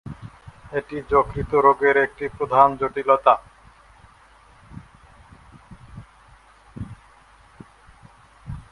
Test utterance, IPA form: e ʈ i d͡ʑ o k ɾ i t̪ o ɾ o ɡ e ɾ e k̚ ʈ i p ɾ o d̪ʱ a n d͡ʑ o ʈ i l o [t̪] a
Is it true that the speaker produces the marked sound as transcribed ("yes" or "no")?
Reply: yes